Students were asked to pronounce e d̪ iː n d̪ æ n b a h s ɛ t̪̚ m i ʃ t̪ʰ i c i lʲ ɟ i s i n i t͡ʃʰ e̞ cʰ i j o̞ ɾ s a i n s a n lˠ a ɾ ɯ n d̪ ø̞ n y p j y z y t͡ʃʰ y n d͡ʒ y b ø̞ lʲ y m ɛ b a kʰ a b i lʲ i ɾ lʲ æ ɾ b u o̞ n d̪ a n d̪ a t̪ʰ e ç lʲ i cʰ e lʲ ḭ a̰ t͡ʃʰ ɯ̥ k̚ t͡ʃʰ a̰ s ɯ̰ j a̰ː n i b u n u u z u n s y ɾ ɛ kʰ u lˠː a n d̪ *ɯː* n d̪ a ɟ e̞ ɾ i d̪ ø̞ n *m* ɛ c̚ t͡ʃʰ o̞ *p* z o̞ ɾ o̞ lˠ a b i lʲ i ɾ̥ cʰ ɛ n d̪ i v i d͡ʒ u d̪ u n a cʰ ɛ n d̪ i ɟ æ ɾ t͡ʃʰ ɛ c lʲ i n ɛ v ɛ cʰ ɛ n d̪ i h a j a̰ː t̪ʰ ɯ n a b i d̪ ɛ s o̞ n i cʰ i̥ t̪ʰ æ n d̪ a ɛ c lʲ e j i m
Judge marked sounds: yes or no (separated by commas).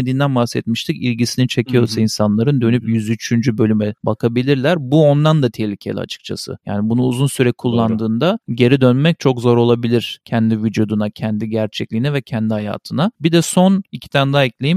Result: yes, yes, no